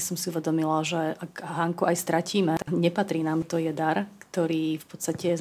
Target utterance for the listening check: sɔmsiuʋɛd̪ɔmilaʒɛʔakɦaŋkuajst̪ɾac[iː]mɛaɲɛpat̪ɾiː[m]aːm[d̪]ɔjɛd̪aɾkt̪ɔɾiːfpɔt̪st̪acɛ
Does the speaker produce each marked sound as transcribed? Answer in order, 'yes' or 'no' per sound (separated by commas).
yes, no, no